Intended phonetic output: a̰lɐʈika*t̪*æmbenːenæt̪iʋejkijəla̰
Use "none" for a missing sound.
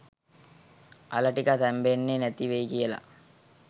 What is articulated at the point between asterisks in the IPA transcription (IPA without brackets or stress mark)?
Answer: t̪